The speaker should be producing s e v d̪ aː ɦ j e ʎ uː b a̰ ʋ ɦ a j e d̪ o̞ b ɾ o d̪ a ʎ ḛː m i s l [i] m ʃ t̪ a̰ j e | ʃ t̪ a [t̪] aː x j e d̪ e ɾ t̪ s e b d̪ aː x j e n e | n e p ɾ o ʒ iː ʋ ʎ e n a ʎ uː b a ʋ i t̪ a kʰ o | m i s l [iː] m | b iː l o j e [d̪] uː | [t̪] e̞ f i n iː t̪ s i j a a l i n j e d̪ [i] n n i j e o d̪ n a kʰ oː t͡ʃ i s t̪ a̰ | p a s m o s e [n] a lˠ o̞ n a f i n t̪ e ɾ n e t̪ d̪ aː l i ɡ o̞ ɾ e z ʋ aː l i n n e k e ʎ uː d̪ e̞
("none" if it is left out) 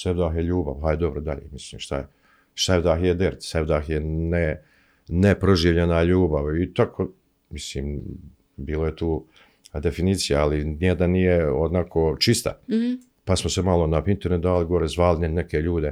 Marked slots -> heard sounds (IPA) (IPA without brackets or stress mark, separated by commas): iː, d̪, iː, t̪, d̪, a, m